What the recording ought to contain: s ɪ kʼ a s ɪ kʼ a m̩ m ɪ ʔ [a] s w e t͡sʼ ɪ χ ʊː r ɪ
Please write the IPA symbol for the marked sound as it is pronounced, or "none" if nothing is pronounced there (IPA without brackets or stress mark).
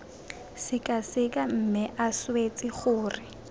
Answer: a